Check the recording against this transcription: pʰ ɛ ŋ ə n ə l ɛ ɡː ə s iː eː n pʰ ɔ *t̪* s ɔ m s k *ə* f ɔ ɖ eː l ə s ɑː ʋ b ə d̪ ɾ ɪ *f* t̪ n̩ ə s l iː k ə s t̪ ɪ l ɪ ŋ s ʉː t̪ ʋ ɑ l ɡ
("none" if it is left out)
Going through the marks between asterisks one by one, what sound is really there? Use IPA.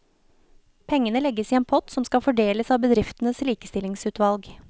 t̪, ɑ, f

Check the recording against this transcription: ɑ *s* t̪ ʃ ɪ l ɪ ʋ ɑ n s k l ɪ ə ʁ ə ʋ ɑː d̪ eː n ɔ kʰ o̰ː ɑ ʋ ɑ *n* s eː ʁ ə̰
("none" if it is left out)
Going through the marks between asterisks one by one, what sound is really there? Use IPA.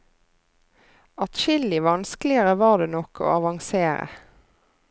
none, ŋ

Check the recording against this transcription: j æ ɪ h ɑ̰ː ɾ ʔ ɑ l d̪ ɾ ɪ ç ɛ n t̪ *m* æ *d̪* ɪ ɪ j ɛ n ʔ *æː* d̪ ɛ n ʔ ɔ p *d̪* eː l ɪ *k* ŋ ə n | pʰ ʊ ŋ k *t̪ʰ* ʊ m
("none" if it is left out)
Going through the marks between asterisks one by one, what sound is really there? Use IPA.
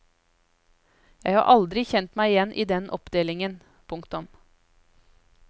m, none, iː, d̪, none, t̪

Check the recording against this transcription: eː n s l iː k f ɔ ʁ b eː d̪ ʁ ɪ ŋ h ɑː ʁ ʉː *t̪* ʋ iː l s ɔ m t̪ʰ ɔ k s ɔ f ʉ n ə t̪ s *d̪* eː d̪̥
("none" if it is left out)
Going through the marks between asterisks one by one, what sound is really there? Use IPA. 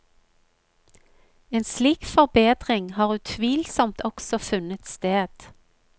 t̪ʰ, t̪

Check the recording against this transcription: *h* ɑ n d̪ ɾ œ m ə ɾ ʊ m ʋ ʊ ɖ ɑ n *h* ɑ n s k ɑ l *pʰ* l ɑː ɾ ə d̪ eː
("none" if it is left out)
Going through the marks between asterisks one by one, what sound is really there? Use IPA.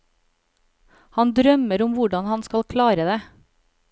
h, h, kʰ

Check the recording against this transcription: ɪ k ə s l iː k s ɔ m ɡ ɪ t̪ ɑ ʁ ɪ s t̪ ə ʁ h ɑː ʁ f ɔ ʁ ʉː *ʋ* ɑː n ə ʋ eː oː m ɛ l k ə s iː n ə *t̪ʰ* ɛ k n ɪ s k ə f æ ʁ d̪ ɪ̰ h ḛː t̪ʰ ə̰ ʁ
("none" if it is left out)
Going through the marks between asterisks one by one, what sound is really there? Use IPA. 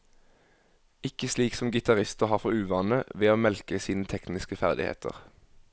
ʋ, t̪ʰ

